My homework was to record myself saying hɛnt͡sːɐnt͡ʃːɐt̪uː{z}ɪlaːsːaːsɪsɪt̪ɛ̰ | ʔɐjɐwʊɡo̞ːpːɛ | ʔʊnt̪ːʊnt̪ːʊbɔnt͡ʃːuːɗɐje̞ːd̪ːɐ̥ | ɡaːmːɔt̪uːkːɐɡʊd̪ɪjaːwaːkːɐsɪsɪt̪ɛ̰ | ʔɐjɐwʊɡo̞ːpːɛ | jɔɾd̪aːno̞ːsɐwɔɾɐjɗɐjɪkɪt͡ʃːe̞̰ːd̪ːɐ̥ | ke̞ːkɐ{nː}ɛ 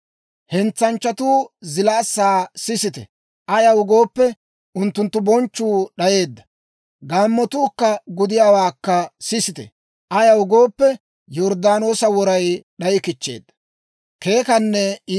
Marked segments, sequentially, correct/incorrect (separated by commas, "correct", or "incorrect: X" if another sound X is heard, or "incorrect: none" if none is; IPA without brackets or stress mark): correct, correct